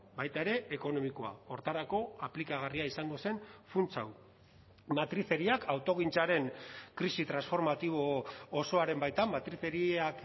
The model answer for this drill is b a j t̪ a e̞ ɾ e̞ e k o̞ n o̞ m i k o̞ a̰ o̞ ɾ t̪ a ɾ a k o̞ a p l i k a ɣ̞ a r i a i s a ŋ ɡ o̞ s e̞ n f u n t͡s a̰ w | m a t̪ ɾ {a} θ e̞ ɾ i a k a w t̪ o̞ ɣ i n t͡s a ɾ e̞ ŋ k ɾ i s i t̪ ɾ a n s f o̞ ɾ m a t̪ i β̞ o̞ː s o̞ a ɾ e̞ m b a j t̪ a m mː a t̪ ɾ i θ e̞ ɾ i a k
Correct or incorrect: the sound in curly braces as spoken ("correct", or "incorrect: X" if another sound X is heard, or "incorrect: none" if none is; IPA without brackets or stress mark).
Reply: incorrect: i